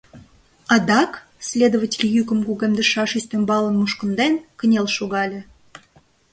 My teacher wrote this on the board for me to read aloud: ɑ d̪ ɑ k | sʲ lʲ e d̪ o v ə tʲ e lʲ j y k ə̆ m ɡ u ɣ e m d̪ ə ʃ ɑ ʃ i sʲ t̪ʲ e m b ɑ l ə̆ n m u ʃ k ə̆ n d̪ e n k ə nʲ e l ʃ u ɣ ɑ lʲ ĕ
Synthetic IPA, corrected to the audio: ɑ d̪ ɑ k | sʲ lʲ e d̪ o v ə tʲ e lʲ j y k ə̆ m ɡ u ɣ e m d̪ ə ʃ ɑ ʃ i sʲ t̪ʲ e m b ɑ l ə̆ n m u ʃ k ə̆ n d̪ e n k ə nʲ e l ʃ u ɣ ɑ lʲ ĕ